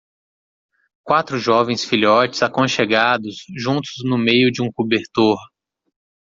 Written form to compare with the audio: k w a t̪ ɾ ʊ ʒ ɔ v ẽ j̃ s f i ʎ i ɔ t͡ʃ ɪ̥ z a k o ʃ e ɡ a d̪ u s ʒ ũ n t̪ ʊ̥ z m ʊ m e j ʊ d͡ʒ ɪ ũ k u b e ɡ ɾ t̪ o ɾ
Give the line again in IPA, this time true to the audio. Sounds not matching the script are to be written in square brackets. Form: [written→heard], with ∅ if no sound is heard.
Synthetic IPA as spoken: k w a t̪ ɾ ʊ ʒ ɔ v ẽ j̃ s f i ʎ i ɔ t͡ʃ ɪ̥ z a k [o→õ] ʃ e ɡ a d̪ [u→ʊ] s ʒ ũ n t̪ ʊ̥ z [m→n] ʊ m e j ʊ d͡ʒ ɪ ũ k u b e [ɡ→∅] ɾ t̪ o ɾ